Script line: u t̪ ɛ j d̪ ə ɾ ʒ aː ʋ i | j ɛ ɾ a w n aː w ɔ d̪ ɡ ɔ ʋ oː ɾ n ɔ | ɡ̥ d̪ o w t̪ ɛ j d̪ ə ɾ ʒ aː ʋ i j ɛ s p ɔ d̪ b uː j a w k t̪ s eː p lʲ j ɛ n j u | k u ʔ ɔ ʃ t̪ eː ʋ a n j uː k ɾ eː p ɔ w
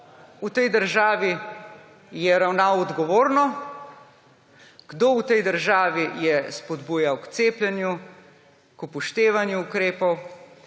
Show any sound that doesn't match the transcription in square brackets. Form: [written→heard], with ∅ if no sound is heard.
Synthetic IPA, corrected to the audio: u t̪ ɛ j d̪ ə ɾ ʒ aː ʋ i | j ɛ ɾ a w n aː w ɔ d̪ ɡ ɔ ʋ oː ɾ n ɔ | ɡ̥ d̪ o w t̪ ɛ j d̪ ə ɾ ʒ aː ʋ i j ɛ s p ɔ d̪ b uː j a w k t̪ s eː p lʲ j ɛ n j u | k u [ʔ→p] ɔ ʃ t̪ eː ʋ a n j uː k ɾ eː p ɔ w